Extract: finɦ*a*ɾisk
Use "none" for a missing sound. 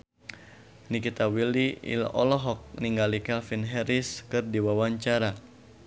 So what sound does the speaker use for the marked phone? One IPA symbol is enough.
ɛ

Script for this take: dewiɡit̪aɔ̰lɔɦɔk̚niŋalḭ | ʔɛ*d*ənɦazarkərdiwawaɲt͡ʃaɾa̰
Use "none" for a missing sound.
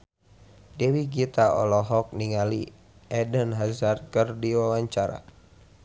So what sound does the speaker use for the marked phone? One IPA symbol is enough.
d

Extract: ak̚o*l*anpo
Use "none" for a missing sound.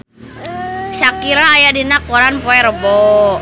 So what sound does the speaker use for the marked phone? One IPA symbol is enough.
ɾ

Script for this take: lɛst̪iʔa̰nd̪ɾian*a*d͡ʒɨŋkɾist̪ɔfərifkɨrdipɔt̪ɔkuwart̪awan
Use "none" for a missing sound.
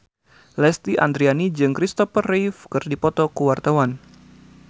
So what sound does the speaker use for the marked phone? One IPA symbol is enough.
i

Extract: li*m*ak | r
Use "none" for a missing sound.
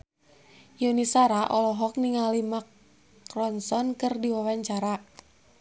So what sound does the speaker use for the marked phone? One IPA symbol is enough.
m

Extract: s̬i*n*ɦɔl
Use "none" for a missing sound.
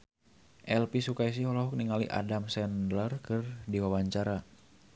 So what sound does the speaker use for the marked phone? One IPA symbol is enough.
none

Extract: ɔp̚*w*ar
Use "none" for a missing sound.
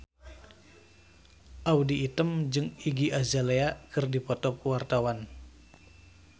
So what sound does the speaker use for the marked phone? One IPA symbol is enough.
w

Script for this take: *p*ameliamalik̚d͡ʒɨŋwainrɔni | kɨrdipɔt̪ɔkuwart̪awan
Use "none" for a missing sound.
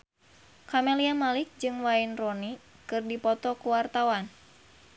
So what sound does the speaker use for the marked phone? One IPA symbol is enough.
k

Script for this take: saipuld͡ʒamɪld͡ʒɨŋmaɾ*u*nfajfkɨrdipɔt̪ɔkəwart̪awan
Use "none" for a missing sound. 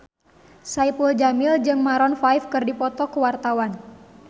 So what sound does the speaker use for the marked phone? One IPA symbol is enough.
ɔ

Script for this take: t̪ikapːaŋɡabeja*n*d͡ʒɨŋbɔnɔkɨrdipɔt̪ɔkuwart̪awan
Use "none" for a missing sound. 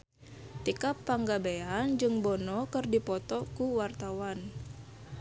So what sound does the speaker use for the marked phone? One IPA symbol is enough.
n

